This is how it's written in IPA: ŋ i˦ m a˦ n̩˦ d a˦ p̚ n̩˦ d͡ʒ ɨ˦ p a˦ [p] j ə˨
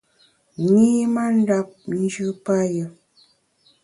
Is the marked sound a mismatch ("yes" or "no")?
yes